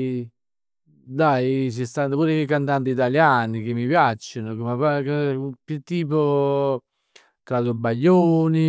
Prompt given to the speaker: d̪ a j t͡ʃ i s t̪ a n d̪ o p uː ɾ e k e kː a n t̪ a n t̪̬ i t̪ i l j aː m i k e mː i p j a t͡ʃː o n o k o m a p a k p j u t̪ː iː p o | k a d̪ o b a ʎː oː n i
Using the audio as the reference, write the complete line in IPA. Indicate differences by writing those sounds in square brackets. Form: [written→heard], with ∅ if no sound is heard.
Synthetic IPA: d̪ a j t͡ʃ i s t̪ a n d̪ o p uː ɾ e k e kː a n t̪ a n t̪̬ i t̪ [i→a] l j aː [m→n] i k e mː i p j a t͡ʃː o n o k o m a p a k p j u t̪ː iː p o | k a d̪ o b a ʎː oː n i

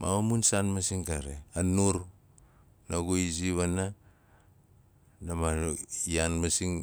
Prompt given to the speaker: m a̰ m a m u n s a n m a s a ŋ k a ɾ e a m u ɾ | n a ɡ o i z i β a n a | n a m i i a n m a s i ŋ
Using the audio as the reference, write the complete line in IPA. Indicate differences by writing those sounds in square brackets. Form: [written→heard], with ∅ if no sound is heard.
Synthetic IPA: m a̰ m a m u n s a n m a s [a→i] ŋ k a ɾ e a [m→n] u ɾ | n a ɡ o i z i β a n a | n a m [i→a] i a n m a s i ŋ

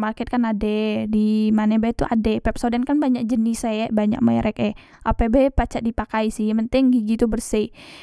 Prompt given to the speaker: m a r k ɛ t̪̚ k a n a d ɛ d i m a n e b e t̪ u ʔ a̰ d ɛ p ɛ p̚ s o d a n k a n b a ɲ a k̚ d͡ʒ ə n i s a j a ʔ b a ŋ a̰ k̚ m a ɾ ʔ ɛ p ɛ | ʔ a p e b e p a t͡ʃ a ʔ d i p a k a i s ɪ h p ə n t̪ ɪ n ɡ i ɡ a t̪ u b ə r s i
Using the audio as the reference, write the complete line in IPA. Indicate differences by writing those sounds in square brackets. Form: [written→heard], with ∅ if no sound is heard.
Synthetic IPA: m a r k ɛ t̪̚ k a n a d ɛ d i m a n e b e t̪ u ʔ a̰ d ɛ p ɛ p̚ s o d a n k a n b a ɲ a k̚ d͡ʒ ə n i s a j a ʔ b a [ŋ→ɲ] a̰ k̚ m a ɾ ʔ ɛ [p→k] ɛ | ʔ a p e b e p a t͡ʃ a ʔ d i p a k a i s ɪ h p ə n t̪ ɪ [n→ŋ] ɡ i ɡ [a→i] t̪ u b ə r s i

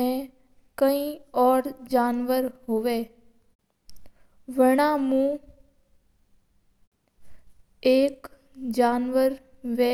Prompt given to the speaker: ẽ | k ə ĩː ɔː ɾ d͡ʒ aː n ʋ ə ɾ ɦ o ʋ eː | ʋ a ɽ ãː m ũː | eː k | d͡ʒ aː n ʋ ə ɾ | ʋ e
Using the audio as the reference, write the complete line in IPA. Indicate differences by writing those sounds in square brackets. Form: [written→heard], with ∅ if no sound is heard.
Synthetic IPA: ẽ | k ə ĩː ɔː ɾ d͡ʒ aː n ʋ ə ɾ ɦ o ʋ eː | ʋ [a→ə] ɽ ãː m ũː | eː k | d͡ʒ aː n ʋ ə ɾ | ʋ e

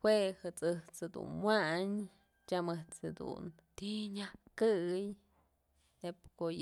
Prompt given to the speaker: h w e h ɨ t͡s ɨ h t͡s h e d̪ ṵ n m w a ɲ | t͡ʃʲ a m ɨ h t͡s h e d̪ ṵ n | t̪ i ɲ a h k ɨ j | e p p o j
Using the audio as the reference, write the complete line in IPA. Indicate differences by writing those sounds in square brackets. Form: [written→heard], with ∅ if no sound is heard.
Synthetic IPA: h w e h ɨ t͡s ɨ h t͡s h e d̪ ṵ n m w a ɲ | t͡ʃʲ a m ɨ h t͡s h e d̪ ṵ n | t̪ i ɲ a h k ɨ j | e p [p→k] o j

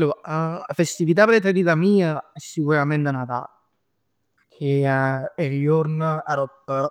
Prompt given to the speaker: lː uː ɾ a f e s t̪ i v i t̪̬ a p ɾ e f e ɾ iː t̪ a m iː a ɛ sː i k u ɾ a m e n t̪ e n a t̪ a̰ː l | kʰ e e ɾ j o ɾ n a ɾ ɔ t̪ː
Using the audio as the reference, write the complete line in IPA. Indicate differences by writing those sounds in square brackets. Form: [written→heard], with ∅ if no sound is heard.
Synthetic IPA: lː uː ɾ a f e s t̪ i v i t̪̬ a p ɾ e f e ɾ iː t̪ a m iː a ɛ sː i k u ɾ a m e n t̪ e n a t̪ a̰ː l | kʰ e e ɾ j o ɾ n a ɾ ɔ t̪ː

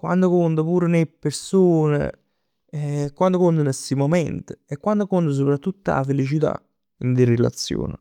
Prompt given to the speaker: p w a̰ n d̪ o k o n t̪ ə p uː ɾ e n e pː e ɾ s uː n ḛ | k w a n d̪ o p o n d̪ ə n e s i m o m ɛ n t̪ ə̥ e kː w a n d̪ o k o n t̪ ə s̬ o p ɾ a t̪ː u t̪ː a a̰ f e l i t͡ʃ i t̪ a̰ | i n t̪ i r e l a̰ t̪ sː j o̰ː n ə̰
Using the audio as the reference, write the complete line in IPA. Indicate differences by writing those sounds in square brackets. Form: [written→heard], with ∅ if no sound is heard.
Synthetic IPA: [p→k] w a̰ n d̪ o k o n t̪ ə p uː ɾ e n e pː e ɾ s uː n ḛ | k w a n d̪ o [p→k] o n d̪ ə n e s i m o m ɛ n t̪ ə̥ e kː w a n d̪ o k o n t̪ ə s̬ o p ɾ a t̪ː u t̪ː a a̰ f e l i t͡ʃ i t̪ a̰ | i n [t̪→d̪] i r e l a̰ t̪ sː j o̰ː n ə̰

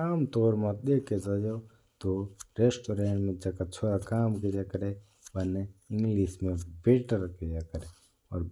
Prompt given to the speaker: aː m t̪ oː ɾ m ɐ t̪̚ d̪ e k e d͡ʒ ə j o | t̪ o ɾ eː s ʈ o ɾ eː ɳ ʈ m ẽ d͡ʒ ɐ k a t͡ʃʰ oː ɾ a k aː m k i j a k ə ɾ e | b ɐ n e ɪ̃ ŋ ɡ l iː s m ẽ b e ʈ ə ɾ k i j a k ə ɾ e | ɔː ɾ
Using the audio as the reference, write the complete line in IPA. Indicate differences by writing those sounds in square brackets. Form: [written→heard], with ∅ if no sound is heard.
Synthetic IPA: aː m t̪ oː ɾ m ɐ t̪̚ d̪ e k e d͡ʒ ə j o | t̪ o ɾ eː s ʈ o ɾ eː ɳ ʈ m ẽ d͡ʒ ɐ k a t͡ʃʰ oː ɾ a k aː m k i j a k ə ɾ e | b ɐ n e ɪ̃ ŋ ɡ l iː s m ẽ b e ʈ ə ɾ k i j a k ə ɾ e | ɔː ɾ

